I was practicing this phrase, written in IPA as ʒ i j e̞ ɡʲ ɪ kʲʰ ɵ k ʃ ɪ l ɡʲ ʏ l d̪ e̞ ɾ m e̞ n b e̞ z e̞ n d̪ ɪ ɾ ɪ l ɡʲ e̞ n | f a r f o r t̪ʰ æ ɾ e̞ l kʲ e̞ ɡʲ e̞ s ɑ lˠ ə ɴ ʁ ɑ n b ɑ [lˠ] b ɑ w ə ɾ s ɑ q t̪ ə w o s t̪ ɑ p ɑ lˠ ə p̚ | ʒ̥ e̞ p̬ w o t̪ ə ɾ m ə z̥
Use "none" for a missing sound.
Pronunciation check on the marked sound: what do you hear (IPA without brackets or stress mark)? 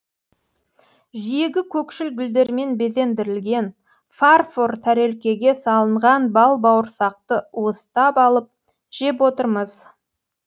lˠ